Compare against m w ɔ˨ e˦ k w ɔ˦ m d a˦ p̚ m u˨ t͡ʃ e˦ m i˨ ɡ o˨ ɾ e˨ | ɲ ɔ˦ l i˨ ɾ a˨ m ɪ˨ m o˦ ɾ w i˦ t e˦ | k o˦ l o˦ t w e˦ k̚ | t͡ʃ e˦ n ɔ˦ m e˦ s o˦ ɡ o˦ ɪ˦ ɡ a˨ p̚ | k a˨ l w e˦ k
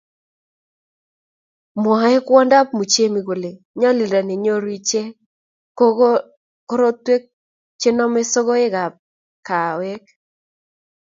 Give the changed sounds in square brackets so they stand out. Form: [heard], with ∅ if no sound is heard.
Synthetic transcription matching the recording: m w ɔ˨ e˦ k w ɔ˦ [n] d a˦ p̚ m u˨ t͡ʃ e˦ m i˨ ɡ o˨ [l] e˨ | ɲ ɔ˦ l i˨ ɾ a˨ [n] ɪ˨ [ɲ] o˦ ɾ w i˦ [t͡ʃ] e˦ | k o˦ [ɾ] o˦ t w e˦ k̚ | t͡ʃ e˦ n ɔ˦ m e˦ s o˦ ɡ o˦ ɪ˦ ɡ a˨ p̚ | k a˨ [∅] w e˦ k